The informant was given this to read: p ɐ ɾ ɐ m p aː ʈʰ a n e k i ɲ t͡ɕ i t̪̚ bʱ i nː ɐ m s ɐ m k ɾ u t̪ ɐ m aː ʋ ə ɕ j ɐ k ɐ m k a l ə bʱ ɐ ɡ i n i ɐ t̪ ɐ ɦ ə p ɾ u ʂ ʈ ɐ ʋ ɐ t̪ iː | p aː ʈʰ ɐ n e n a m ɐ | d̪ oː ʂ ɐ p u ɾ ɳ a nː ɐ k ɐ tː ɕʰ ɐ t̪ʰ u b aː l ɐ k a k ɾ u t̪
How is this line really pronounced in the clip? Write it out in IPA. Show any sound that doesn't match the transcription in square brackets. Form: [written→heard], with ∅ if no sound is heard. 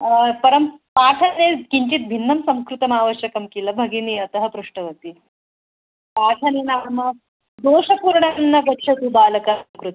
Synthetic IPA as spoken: p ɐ ɾ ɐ m p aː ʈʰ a n e k i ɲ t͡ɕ i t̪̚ bʱ i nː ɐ m s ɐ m k ɾ u t̪ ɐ m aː ʋ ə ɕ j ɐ k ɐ m k [a→i] l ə bʱ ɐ ɡ i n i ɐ t̪ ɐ ɦ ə p ɾ u ʂ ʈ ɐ ʋ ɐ t̪ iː | p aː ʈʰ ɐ n e n a m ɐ | d̪ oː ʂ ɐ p u ɾ ɳ a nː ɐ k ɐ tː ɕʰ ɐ [t̪ʰ→t̪] u b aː l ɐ k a k ɾ u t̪

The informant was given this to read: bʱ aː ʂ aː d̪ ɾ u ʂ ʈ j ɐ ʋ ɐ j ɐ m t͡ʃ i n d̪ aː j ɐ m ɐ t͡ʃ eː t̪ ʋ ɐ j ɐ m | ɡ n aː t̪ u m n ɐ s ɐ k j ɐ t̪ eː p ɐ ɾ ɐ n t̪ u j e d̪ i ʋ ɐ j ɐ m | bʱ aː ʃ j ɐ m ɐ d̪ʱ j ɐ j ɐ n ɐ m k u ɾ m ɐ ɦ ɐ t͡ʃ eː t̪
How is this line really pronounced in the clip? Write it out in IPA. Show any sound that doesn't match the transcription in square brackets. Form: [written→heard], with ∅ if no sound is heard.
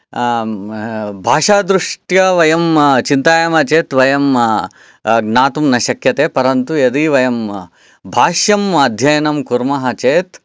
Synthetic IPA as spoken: bʱ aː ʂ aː d̪ ɾ u ʂ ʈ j ɐ ʋ ɐ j ɐ m t͡ʃ i n [d̪→t̪] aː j ɐ m ɐ t͡ʃ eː t̪ ʋ ɐ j ɐ m | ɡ n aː t̪ u m n ɐ [s→ʃ] ɐ k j ɐ t̪ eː p ɐ ɾ ɐ n t̪ u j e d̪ i ʋ ɐ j ɐ m | bʱ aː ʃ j ɐ m ɐ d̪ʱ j ɐ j ɐ n ɐ m k u ɾ m ɐ ɦ ɐ t͡ʃ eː t̪

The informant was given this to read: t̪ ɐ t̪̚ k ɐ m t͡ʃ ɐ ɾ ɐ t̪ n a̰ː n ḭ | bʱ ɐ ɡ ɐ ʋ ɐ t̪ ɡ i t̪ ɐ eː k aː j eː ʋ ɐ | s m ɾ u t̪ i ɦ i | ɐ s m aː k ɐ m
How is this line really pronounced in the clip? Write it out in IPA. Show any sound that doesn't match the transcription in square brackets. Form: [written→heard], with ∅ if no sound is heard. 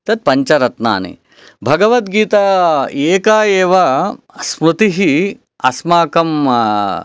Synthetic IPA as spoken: t̪ ɐ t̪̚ [k→p] ɐ [m→ɲ] t͡ʃ ɐ ɾ ɐ t̪ n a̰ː n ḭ | bʱ ɐ ɡ ɐ ʋ ɐ t̪ ɡ [i→iː] t̪ ɐ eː k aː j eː ʋ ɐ | s m ɾ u t̪ i ɦ i | ɐ s m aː k ɐ m

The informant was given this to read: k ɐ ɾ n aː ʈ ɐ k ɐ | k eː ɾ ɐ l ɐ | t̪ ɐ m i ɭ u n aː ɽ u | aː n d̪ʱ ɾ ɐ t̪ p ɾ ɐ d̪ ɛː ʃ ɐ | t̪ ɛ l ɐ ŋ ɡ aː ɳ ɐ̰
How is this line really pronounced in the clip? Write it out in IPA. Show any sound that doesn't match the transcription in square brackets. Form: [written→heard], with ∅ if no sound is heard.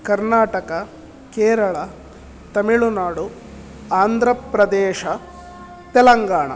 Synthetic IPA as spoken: k ɐ ɾ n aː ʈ ɐ k ɐ | k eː ɾ ɐ [l→ɭ] ɐ | t̪ ɐ m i ɭ u n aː ɽ u | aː n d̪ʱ ɾ ɐ [t̪→∅] p ɾ ɐ d̪ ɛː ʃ ɐ | t̪ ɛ l ɐ ŋ ɡ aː ɳ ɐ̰

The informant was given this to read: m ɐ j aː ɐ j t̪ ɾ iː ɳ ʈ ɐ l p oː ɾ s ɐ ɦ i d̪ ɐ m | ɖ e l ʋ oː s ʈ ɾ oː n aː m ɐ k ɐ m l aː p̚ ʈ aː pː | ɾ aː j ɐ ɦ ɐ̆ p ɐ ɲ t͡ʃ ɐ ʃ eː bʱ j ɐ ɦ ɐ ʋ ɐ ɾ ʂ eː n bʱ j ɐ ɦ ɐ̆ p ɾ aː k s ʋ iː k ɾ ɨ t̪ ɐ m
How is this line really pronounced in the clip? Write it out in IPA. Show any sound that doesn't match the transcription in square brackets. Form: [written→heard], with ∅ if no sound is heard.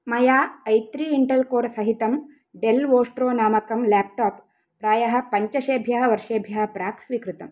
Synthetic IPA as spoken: m ɐ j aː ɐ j t̪ ɾ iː ɳ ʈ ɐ l [p→k] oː ɾ s ɐ ɦ i [d̪→t̪] ɐ m | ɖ e l ʋ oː s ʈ ɾ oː n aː m ɐ k ɐ m l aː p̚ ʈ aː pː | ɾ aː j ɐ ɦ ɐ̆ p ɐ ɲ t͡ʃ ɐ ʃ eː bʱ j ɐ ɦ ɐ ʋ ɐ ɾ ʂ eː [n→∅] bʱ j ɐ ɦ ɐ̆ p ɾ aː k s ʋ [iː→i] k ɾ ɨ t̪ ɐ m

